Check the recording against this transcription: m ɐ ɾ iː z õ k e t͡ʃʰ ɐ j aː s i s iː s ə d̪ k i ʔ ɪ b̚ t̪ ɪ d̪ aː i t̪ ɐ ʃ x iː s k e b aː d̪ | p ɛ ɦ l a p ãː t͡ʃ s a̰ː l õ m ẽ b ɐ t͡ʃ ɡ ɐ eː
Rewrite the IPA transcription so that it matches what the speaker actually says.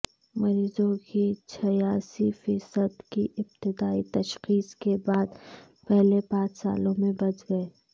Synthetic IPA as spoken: m ɐ ɾ iː z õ k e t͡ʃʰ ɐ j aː s i f iː s ə d̪ k i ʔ ɪ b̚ t̪ ɪ d̪ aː i t̪ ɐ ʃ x iː s k e b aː d̪ | p ɛ ɦ l e p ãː t͡ʃ s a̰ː l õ m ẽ b ɐ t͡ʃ ɡ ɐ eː